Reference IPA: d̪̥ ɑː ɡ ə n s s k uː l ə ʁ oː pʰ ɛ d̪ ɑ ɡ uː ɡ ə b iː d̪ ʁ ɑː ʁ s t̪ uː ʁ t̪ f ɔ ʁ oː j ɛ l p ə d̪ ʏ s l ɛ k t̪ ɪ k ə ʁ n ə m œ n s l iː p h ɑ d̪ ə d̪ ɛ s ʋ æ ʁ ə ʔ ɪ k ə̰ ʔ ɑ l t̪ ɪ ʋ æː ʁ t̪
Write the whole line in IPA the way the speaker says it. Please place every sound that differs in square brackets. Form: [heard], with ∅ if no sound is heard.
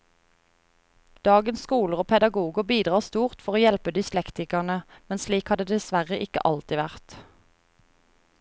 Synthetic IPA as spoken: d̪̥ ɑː ɡ ə n s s k uː l ə ʁ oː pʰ ɛ d̪ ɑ ɡ uː ɡ ə b iː d̪ ʁ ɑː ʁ s t̪ uː ʁ t̪ f ɔ ʁ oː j ɛ l p ə d̪ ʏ s l ɛ k t̪ ɪ k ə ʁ n ə m [ɛ] n s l iː [k] h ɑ d̪ ə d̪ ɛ s ʋ æ ʁ ə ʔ ɪ k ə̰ ʔ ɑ l t̪ ɪ ʋ [æ] ʁ t̪